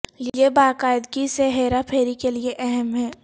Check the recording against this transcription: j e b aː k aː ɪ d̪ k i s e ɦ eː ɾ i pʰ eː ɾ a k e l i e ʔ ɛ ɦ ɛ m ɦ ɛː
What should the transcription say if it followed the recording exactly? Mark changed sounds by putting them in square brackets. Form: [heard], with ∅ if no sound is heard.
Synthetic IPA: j e b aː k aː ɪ d̪ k i s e ɦ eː ɾ [a] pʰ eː ɾ [i] k e l i e ʔ ɛ ɦ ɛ m ɦ ɛː